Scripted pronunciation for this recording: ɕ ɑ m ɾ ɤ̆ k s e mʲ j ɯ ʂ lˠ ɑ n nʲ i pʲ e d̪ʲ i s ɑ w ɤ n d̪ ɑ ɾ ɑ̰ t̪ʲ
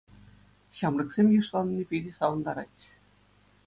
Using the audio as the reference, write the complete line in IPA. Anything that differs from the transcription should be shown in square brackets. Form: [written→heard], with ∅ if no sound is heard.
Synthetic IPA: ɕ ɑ m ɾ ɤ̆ k s e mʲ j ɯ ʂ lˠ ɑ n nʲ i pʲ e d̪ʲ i s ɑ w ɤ n d̪ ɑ ɾ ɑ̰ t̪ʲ